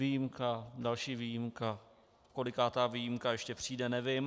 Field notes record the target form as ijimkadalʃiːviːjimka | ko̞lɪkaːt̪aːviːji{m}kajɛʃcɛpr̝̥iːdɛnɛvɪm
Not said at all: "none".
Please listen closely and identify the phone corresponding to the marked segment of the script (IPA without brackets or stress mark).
m